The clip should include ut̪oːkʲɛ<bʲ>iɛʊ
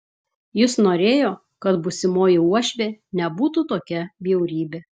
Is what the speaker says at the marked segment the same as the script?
yes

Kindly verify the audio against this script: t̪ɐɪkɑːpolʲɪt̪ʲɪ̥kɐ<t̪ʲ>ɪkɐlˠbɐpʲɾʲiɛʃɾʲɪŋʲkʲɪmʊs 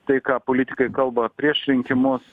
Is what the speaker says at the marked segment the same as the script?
no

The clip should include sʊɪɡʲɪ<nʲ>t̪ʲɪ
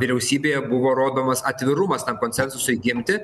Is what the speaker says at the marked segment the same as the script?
no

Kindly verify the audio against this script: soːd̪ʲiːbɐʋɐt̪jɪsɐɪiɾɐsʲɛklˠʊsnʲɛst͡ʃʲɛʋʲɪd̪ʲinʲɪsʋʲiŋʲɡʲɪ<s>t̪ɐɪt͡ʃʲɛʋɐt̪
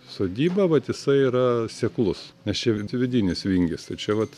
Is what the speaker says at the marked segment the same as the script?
yes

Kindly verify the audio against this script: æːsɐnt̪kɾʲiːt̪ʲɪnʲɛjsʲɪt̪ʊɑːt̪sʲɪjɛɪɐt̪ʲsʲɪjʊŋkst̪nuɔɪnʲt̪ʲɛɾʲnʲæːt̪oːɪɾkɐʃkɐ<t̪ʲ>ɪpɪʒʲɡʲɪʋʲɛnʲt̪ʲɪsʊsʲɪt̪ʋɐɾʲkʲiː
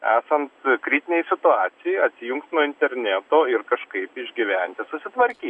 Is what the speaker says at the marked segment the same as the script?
no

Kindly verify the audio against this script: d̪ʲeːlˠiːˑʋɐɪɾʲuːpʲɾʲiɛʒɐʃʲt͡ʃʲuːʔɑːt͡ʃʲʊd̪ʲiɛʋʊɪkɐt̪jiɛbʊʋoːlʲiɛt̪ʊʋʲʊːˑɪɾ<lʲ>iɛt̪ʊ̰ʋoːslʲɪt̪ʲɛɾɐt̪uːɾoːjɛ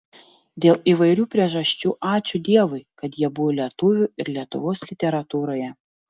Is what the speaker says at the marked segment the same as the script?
yes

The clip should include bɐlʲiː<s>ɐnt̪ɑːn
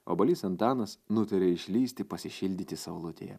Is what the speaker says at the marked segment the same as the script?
yes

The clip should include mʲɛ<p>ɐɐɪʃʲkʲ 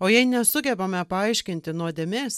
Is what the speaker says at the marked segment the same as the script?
yes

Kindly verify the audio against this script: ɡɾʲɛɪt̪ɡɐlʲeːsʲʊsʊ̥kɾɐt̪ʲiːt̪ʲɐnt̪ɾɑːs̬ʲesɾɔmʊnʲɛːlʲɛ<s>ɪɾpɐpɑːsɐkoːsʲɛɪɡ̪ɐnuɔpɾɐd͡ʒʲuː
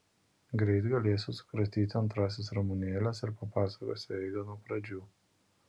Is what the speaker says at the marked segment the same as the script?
yes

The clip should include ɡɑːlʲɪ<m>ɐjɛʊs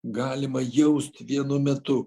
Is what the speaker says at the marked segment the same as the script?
yes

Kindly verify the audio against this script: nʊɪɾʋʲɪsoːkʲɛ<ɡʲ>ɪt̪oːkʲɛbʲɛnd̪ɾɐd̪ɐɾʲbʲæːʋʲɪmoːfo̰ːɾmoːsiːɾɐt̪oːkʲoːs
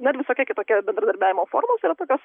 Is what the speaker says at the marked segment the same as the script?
no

